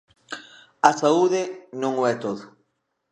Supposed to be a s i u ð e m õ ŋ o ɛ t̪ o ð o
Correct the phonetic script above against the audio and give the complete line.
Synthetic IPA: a s a u ð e n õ ŋ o ɛ t̪ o ð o